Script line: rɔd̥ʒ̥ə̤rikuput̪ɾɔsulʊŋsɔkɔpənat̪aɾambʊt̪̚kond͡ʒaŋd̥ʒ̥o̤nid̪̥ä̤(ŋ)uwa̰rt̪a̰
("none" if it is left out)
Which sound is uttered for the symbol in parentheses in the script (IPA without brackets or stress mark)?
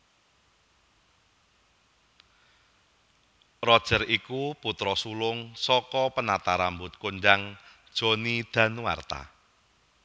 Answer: n